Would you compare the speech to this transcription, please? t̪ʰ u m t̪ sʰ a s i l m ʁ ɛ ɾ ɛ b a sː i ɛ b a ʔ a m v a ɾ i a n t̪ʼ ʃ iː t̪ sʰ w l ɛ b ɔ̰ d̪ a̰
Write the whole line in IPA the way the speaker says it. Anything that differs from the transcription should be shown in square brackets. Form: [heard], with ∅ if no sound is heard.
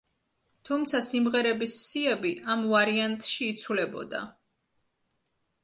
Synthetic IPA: t̪ʰ u m t̪ sʰ a s i [∅] m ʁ ɛ ɾ ɛ b [i] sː i ɛ b [i] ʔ a m v a ɾ i a n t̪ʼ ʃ iː t̪ sʰ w l ɛ b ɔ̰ d̪ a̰